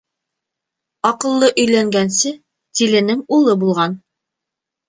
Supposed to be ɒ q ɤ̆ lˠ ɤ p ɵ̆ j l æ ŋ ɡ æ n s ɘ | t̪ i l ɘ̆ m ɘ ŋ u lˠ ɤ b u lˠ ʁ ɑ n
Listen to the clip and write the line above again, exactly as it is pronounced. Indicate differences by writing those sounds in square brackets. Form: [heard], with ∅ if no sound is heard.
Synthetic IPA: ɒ q ɤ̆ [lˠː] ɤ [ʔ] ɵ̆ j l æ ŋ ɡ æ n s ɘ | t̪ i l ɘ̆ [n] ɘ ŋ u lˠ ɤ b u lˠ ʁ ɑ n